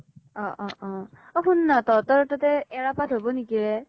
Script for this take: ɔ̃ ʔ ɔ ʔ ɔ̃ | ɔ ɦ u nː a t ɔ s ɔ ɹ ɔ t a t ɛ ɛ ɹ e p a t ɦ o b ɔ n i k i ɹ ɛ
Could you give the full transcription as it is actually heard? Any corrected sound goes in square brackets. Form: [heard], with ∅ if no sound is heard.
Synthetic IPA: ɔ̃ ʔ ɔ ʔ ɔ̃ | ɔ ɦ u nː a t ɔ [t] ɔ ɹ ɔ t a t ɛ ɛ ɹ [a] p a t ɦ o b ɔ n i k i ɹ ɛ